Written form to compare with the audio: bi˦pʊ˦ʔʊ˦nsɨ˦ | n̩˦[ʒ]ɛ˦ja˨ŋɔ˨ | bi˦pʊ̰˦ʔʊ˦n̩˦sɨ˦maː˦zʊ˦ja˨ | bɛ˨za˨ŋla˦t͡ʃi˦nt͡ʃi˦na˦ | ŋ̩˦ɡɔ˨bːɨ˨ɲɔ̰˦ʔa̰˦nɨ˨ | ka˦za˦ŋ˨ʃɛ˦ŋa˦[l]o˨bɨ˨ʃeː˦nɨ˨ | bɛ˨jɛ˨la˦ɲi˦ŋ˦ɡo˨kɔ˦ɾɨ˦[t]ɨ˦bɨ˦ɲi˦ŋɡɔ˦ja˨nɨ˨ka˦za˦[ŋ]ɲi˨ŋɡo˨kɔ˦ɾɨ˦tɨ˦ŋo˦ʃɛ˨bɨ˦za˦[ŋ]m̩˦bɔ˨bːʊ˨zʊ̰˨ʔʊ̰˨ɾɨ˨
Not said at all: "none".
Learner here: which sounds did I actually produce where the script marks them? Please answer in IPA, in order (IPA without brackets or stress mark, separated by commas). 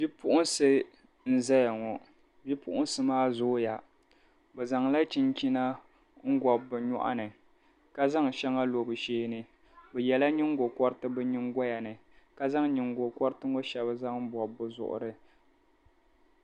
z, l, t, ŋ, ŋ